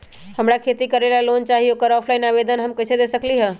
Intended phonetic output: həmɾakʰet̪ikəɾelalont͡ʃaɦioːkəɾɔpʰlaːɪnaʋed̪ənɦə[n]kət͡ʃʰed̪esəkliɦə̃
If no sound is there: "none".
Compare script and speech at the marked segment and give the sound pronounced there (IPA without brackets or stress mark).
m